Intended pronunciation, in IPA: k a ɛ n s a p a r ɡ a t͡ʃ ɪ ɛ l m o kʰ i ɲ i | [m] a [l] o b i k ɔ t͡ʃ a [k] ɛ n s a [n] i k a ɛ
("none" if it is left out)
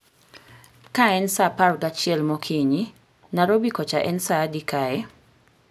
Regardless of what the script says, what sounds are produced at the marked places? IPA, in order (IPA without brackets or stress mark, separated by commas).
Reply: n, ɾ, ʔ, d